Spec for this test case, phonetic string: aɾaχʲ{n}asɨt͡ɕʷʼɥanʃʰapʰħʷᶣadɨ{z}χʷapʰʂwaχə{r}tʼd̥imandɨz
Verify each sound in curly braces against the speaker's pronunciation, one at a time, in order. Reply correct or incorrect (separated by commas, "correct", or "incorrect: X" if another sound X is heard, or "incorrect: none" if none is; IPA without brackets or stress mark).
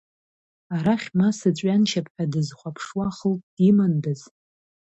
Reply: incorrect: m, correct, incorrect: l